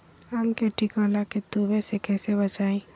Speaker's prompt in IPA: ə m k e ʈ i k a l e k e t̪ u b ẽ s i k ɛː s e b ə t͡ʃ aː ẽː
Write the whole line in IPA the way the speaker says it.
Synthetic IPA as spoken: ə m k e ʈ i k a l a k e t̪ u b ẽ s e k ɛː s e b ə t͡ʃ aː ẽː